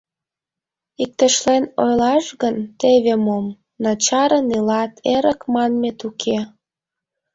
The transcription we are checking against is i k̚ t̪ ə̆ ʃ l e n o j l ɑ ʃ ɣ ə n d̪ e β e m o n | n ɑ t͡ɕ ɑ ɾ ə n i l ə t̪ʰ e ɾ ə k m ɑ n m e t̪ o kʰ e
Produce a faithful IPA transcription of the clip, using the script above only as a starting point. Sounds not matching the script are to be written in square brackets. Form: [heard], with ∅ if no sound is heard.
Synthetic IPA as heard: i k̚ t̪ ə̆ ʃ l e n o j l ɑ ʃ ɣ ə n [t̪] e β e m o [m] | n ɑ t͡ɕ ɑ ɾ ə n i l [ɑ] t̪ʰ e ɾ ə k m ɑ n m e t̪ [u] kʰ e